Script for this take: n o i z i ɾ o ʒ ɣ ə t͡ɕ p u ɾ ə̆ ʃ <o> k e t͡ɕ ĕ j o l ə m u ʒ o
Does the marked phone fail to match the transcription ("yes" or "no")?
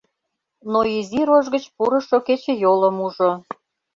no